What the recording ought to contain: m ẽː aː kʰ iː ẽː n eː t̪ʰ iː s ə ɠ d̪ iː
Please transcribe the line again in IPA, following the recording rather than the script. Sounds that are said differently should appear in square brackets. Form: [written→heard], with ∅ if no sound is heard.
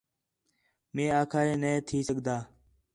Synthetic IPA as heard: m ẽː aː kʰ [iː→aː] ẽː n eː t̪ʰ iː s ə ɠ d̪ [iː→aː]

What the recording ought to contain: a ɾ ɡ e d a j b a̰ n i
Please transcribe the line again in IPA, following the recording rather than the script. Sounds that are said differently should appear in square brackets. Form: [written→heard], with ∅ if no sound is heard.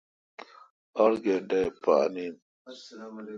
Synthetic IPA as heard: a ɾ ɡ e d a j [b→p] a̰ n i

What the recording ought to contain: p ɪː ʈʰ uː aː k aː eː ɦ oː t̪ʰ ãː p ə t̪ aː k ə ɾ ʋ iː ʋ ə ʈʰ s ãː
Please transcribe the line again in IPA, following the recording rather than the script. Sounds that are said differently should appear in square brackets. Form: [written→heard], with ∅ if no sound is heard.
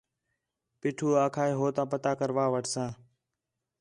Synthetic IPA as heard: p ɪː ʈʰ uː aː [k→kʰ] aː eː ɦ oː [t̪ʰ→t̪] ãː p ə t̪ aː k ə ɾ ʋ [iː→aː] ʋ ə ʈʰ s ãː

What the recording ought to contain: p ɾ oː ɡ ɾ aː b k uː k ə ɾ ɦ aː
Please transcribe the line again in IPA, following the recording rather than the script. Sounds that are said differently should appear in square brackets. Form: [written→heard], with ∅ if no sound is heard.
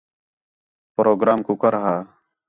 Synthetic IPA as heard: p ɾ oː ɡ ɾ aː [b→m] k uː k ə ɾ ɦ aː

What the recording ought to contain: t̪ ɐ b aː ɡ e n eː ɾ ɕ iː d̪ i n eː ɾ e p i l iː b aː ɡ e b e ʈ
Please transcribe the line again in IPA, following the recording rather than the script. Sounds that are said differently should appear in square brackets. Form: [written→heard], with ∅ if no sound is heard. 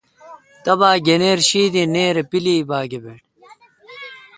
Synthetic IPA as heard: t̪ ɐ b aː ɡ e n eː ɾ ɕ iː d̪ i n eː ɾ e p i l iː b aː ɡ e b e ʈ

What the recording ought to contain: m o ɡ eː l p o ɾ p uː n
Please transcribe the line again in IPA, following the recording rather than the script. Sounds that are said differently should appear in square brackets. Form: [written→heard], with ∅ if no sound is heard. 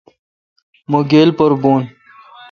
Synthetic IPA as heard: m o ɡ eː l p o ɾ [p→b] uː n

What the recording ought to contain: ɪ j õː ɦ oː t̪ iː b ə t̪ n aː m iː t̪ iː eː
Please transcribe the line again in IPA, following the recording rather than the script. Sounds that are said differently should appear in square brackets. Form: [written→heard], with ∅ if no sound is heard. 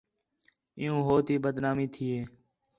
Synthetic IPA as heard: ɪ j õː ɦ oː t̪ iː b ə [t̪→d̪] n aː m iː [t̪→t̪ʰ] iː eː

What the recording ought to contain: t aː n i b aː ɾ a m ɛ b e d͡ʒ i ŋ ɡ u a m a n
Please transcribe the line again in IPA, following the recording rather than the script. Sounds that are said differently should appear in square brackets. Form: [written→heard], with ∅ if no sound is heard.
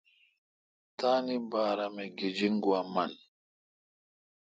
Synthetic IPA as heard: t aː n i b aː ɾ a m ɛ [b→ɡ] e d͡ʒ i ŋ ɡ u a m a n

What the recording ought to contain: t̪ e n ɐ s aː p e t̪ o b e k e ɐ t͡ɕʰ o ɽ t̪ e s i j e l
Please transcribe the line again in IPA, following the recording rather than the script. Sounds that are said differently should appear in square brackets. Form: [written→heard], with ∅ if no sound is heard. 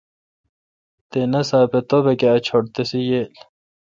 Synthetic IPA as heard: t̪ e n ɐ s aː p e t̪ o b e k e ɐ t͡ɕʰ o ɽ t̪ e s i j e l

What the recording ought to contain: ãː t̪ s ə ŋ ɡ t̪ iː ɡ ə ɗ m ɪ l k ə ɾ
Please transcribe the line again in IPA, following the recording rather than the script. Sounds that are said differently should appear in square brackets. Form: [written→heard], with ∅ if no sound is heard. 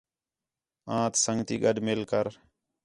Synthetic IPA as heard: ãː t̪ s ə ŋ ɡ t̪ iː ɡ ə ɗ m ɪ l k ə ɾ

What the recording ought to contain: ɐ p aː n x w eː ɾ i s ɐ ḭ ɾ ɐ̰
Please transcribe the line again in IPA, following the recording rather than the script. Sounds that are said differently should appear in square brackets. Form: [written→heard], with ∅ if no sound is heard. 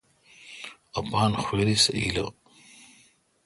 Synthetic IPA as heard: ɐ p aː n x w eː ɾ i s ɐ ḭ [ɾ→l] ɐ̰

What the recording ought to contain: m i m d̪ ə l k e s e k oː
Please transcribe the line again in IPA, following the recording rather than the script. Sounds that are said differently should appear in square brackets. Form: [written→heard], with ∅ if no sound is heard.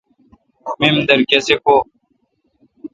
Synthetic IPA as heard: m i m d̪ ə [l→ɾ] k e s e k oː

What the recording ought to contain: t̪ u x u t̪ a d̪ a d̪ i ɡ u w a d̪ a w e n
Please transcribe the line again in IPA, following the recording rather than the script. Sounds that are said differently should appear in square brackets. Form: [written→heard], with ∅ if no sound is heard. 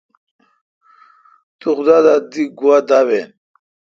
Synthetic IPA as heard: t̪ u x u [t̪→d̪] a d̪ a d̪ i ɡ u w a d̪ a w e n

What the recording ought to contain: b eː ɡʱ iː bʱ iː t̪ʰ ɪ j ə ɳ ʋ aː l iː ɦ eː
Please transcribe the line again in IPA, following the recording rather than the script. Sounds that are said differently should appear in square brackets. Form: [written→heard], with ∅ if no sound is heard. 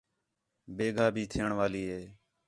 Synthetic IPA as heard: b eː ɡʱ [iː→aː] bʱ iː t̪ʰ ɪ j ə ɳ ʋ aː l iː ɦ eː

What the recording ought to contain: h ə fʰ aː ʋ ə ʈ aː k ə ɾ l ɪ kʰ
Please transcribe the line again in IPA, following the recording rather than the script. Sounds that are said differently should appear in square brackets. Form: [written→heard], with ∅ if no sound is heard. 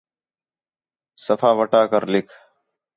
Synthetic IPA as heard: [h→s] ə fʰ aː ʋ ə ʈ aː k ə ɾ l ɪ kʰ

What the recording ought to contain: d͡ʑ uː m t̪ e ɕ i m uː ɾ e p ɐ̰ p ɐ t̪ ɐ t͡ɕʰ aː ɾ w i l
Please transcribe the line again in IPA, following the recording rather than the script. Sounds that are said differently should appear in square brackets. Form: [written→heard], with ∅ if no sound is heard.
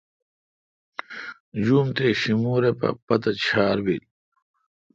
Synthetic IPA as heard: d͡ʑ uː m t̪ e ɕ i m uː ɾ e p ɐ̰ p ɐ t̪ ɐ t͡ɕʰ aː ɾ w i l

